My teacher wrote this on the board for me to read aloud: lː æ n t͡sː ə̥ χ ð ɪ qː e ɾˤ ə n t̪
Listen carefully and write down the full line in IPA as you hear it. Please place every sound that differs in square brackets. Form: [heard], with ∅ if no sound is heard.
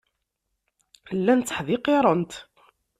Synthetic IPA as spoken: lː æ n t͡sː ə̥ [ħ] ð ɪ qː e ɾˤ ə n t̪